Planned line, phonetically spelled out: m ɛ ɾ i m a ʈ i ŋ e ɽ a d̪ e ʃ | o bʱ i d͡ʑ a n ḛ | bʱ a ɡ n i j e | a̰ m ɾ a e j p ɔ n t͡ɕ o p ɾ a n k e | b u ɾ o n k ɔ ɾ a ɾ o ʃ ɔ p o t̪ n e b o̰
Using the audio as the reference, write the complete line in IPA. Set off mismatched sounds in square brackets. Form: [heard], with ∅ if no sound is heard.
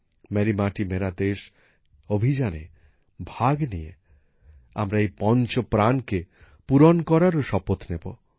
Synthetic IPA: m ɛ ɾ i m a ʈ i [m] e [ɾ] a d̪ e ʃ | o bʱ i d͡ʑ a n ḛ | bʱ a ɡ n i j e | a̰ m ɾ a e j p ɔ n t͡ɕ o p ɾ a n k e | [p] u ɾ o n k ɔ ɾ a ɾ o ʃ ɔ p o t̪ n e b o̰